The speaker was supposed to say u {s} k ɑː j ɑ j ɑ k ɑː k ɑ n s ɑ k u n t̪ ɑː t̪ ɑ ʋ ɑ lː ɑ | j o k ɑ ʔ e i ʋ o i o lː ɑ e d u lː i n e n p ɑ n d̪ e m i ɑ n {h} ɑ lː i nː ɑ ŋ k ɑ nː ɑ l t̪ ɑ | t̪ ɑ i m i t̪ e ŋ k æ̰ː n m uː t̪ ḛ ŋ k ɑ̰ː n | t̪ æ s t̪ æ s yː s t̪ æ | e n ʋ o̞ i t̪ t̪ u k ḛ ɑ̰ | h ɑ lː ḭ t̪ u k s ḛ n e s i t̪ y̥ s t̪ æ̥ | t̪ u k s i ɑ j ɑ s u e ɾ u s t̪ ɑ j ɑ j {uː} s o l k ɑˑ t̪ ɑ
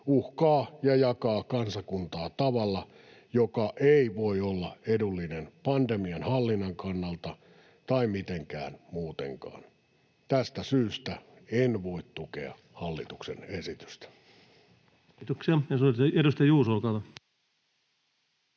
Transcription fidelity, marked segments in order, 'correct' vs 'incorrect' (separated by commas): incorrect, correct, correct